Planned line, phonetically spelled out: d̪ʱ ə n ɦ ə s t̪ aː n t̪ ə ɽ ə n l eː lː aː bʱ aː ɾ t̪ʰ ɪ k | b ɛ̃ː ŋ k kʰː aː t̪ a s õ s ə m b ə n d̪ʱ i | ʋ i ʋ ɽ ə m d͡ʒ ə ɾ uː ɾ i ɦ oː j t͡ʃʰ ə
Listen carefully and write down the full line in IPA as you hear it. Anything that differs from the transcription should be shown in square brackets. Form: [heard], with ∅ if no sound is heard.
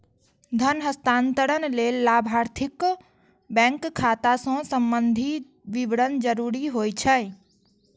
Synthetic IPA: d̪ʱ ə n ɦ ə s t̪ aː n t̪ ə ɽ ə n l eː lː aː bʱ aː ɾ t̪ʰ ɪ k | b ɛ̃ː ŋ k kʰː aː t̪ a s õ s ə m b ə n d̪ʱ i | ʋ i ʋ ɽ ə [n] d͡ʒ ə ɾ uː ɾ i ɦ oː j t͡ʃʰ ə

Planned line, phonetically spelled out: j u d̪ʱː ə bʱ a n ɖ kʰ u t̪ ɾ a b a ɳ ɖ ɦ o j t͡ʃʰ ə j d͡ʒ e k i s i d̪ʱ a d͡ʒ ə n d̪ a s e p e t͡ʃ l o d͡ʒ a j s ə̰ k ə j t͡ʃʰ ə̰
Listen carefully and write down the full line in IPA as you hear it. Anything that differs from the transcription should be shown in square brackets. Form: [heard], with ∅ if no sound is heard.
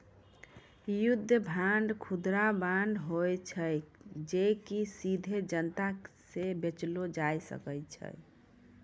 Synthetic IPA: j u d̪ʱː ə bʱ a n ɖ kʰ u [d̪] ɾ a b a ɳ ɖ ɦ o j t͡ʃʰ ə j d͡ʒ e k i s i d̪ʱ [e] d͡ʒ ə n [t̪] a s e [b] e t͡ʃ l o d͡ʒ a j s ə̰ k ə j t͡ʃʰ ə̰

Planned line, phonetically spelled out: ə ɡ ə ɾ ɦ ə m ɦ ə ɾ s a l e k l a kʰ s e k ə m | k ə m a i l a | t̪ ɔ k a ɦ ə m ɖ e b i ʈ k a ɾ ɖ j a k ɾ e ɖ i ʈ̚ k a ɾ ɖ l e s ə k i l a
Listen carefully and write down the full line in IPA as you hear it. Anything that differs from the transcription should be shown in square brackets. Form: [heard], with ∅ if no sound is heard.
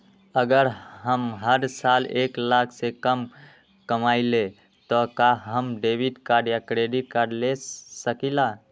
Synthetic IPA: ə ɡ ə ɾ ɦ ə m ɦ ə ɾ s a l e k l a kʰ s e k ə m | k ə m a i l [e] | t̪ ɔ k a ɦ ə m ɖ e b i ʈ k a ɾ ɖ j a k ɾ e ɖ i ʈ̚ k a ɾ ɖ l e s ə k i l a

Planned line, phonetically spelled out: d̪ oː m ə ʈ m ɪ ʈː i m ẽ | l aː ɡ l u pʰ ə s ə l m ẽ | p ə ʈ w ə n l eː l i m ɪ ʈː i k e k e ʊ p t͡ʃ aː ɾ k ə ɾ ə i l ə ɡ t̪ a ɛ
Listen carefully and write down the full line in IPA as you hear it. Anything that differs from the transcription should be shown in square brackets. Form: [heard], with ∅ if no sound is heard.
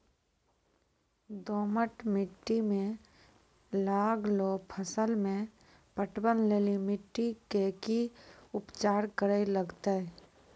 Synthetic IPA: d̪ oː m ə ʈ m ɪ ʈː i m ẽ | l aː ɡ l [o] pʰ ə s ə l m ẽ | p ə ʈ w ə n l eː l i m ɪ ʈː i k e k [i] ʊ p t͡ʃ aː ɾ k ə ɾ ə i l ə ɡ t̪ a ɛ

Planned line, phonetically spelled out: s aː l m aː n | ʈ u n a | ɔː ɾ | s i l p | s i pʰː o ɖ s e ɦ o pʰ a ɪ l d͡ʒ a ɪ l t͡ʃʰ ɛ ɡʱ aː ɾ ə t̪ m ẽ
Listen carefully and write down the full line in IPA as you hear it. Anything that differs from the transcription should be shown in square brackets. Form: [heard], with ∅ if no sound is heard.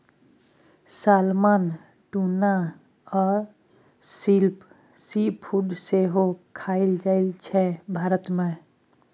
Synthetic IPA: s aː l m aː n | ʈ u n a | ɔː ɾ | s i l p | s i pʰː [u] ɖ s e ɦ o [kʰ] a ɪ l d͡ʒ a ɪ l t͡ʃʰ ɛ [bʱ] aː ɾ ə t̪ m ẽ

